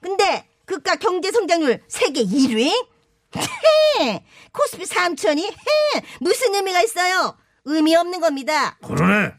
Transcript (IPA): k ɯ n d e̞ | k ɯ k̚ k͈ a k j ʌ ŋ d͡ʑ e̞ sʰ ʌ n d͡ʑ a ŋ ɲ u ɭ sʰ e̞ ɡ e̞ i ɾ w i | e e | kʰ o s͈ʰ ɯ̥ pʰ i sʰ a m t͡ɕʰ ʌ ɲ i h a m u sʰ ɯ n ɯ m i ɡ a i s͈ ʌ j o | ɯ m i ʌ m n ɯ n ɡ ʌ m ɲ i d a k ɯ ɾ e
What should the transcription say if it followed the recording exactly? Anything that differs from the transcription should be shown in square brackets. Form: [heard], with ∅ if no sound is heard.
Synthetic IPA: k ɯ n d e̞ | k ɯ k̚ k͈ a k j ʌ ŋ d͡ʑ e̞ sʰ ʌ [ŋ] d͡ʑ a ŋ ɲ u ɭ sʰ e̞ ɡ e̞ i ɾ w i | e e | kʰ o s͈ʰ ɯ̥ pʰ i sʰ a m t͡ɕʰ ʌ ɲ i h [e] m u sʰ ɯ n ɯ m i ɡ a i s͈ ʌ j o | ɯ m i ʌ m n ɯ n ɡ ʌ m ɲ i d a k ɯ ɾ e